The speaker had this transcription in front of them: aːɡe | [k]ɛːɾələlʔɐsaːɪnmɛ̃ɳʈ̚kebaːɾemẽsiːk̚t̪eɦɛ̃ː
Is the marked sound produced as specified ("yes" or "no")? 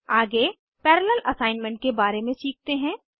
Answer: no